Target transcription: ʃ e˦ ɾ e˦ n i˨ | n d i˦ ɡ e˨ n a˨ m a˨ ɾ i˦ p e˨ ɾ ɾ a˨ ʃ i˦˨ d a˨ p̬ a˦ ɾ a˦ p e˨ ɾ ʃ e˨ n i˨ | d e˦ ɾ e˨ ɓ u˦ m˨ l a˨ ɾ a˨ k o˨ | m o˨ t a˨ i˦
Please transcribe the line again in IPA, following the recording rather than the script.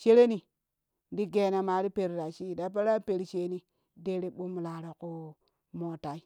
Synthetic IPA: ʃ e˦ ɾ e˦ n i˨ | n d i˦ ɡ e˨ n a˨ m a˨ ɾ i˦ p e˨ ɾ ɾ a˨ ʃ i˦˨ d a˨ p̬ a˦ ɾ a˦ p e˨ ɾ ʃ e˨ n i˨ | d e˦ ɾ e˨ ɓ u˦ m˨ l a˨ ɾ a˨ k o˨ | m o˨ t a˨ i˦

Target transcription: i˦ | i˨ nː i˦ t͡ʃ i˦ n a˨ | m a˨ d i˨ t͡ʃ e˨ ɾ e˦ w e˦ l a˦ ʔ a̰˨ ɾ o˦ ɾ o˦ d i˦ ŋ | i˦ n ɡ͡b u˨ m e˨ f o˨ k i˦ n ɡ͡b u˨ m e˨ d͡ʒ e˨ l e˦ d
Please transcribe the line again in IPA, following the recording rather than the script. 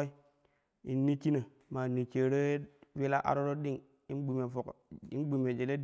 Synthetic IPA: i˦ | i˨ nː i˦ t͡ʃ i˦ n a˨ | m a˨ n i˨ t͡ʃ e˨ ɾ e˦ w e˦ l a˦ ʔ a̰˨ ɾ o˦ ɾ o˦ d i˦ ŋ | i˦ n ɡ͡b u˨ m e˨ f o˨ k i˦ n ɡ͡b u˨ m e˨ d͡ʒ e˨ l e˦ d

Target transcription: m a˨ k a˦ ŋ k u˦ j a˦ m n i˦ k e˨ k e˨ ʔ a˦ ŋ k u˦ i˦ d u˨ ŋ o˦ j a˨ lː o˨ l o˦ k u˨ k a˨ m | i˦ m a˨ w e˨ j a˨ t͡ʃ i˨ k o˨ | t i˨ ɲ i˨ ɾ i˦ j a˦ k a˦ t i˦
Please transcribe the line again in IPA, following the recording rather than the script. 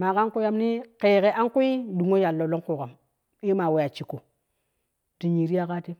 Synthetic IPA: m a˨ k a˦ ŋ k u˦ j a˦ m n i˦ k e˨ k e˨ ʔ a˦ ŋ k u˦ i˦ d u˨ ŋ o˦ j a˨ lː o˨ l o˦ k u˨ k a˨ m | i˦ m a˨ w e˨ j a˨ t͡ʃ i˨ k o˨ | t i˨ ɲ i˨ ɾ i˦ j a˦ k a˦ t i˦

